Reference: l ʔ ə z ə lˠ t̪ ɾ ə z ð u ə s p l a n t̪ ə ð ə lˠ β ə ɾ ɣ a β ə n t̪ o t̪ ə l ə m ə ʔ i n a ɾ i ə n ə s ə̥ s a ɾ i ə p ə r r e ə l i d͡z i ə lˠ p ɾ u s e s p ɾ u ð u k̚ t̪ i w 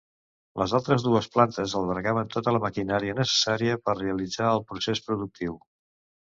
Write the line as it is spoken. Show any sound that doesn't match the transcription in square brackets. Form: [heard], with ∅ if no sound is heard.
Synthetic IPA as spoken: l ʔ ə z [a] lˠ t̪ ɾ ə z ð u ə s p l a n t̪ ə [z] ə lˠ β ə ɾ ɣ a β ə n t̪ o t̪ ə l ə m ə [k] i n a ɾ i ə n ə s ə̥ s a ɾ i ə p ə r r e ə l i d͡z [a] ə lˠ p ɾ u s e s p ɾ u ð u k̚ t̪ i w